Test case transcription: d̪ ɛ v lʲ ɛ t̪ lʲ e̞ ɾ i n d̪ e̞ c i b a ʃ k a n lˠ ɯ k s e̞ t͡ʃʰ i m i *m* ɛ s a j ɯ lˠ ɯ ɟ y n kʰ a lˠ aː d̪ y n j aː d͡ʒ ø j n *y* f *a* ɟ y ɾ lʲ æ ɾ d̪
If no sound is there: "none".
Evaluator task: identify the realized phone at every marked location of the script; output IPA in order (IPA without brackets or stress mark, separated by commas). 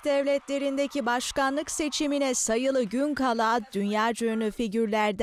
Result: n, y, i